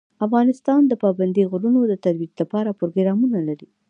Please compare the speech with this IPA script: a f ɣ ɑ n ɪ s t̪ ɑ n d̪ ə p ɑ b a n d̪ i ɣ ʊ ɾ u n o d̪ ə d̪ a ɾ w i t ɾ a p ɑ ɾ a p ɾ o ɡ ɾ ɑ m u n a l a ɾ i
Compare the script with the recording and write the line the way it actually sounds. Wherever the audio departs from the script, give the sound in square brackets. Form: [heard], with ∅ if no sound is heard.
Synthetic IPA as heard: a f ɣ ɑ n ɪ s t̪ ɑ n d̪ ə p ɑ b a n d̪ i ɣ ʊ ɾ u n o d̪ ə [t̪] a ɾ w i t [l] a p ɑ ɾ a p ɾ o ɡ ɾ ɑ m u n a l a ɾ i

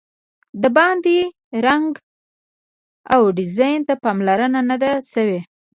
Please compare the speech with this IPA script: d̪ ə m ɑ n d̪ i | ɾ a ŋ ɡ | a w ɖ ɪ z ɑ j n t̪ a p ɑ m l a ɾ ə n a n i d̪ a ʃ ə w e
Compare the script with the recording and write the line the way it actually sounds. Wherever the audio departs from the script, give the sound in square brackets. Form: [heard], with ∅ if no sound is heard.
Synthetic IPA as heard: d̪ ə [b] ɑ n d̪ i | ɾ a ŋ ɡ | a w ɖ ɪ z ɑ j n t̪ a p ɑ m l a ɾ ə n a n [a] d̪ a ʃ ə w e

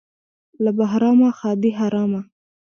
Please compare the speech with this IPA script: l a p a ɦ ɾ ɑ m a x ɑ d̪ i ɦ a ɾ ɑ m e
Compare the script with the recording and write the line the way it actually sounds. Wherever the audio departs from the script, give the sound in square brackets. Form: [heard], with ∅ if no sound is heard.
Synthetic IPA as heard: l a [b] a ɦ ɾ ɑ m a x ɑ d̪ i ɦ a ɾ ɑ m [a]

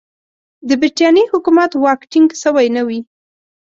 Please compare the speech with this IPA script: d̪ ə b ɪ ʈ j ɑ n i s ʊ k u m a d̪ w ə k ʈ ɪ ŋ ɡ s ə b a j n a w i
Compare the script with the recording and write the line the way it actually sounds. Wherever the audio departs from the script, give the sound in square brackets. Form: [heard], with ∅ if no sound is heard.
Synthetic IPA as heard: d̪ ə b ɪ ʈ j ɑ n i [h] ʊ k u m a [t̪] w [ɑ] k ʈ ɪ ŋ ɡ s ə [w] a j n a w i

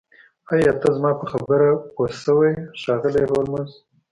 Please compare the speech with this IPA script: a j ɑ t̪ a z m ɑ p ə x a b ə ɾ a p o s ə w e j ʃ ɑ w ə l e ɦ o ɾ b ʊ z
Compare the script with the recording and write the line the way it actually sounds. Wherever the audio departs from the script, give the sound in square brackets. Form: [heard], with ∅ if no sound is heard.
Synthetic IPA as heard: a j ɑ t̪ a z m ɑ p ə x a b ə ɾ a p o s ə w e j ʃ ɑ [ɣ] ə l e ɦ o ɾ [m] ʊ z

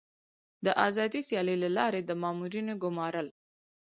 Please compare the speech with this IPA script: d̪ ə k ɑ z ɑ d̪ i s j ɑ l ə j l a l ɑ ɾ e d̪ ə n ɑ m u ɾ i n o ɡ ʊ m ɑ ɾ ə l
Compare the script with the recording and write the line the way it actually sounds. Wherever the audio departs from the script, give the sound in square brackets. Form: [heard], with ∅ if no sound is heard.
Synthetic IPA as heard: d̪ ə [ʔ] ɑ z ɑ d̪ i s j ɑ l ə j l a l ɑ ɾ e d̪ ə [m] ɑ m u ɾ i n o ɡ ʊ m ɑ ɾ ə l

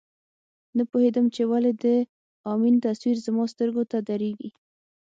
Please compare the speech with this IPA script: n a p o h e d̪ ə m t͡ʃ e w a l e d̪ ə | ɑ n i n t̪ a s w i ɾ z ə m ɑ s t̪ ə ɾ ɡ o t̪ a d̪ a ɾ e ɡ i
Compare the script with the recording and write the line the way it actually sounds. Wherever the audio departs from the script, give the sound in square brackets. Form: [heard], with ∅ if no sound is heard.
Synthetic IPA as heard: n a p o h e d̪ ə m t͡ʃ e w a l e d̪ ə | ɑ [m] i n t̪ a s w i ɾ z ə m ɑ s t̪ ə ɾ ɡ o t̪ a d̪ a ɾ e ɡ i

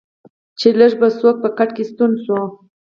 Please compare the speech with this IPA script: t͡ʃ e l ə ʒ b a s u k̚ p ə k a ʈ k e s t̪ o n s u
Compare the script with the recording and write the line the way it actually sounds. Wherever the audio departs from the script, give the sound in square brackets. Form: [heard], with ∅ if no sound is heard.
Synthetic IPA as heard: t͡ʃ e l ə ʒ b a s [o] k̚ p ə k a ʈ k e s t̪ [u] n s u

